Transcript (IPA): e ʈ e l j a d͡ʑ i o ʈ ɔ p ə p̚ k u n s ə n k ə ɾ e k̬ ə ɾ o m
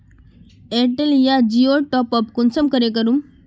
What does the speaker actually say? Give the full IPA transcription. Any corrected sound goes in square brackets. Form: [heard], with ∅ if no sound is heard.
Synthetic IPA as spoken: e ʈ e l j a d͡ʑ i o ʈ ɔ p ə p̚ k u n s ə [m] k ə ɾ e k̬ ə ɾ [u] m